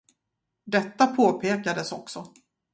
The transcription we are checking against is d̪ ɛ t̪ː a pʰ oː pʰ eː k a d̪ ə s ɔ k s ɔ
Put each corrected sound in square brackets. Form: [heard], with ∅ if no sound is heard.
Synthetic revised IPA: d̪ ɛ t̪ː a pʰ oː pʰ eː k a d̪ ə s ɔ k s ɔ